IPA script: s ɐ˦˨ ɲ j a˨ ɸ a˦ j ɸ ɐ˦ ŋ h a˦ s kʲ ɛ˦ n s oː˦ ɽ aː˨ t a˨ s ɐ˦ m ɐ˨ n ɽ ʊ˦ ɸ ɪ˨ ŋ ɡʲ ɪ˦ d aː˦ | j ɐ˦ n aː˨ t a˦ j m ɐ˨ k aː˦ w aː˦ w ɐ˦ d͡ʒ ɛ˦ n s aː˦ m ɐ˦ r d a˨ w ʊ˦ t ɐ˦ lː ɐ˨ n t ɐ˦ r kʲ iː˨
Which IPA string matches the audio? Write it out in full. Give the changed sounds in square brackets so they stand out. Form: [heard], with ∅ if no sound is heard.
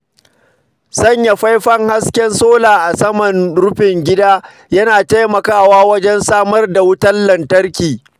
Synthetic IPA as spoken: s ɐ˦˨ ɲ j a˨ ɸ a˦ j ɸ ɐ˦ ŋ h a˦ s kʲ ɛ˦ n s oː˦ [l] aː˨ [ʔ] a˨ s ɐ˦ m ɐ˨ n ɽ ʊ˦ ɸ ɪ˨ ŋ ɡʲ ɪ˦ d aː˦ | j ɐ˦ n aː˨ t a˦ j m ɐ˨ k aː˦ w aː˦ w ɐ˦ d͡ʒ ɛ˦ n s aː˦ m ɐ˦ r d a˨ w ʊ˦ t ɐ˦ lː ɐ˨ n t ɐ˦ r kʲ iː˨